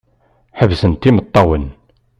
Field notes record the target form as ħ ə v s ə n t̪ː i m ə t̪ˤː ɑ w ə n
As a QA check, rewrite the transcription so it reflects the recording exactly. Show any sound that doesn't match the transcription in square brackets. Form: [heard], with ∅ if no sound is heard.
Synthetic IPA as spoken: ħ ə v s ə n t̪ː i m ə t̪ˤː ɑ w ə n